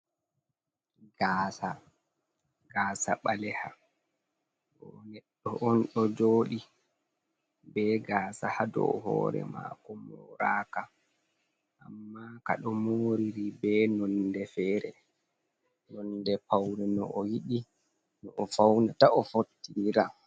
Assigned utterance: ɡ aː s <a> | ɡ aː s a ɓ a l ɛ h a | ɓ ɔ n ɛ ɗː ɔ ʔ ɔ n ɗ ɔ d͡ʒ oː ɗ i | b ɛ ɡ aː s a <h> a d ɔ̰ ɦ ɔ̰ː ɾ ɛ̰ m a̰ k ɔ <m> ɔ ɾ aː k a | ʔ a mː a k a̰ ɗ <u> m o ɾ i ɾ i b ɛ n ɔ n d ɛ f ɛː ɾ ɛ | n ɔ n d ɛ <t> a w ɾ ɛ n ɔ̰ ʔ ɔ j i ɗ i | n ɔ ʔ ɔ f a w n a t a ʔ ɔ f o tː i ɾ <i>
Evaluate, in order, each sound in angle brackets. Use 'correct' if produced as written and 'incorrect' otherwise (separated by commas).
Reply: correct, correct, correct, incorrect, incorrect, incorrect